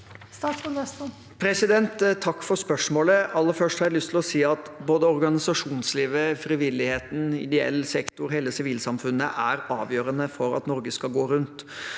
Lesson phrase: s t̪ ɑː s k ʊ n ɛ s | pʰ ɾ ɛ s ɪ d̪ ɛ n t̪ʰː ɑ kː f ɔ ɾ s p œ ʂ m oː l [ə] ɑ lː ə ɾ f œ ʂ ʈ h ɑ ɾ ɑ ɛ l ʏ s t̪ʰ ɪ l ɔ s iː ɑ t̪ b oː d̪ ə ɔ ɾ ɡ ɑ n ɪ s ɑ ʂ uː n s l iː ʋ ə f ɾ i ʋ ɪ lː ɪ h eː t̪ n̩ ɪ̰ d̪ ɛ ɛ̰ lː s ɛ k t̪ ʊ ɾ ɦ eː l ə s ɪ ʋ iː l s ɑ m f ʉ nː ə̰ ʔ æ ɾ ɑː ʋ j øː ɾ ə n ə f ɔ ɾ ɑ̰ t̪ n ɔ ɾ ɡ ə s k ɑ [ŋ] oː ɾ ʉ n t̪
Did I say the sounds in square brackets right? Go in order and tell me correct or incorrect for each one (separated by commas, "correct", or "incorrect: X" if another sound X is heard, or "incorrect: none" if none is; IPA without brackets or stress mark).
correct, incorrect: ɡ